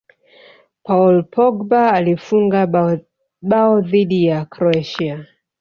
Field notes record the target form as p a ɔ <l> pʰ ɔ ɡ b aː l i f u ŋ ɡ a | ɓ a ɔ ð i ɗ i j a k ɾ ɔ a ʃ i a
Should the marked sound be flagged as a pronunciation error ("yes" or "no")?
no